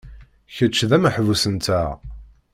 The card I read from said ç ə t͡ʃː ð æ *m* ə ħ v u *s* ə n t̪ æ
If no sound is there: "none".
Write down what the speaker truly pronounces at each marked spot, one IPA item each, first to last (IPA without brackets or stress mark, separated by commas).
m, s